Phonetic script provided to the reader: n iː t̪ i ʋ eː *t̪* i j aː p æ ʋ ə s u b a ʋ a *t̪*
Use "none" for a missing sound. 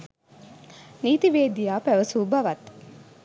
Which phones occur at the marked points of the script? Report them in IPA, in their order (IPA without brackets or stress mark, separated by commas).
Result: d̪, t̪